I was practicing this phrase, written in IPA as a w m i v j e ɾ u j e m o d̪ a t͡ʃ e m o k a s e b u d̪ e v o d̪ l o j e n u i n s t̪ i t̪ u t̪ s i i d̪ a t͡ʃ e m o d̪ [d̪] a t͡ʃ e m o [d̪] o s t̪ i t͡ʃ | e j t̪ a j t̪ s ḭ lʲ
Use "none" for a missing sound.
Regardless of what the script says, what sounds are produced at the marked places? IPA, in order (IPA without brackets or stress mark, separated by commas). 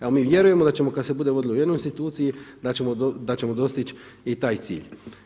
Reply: d̪, d̪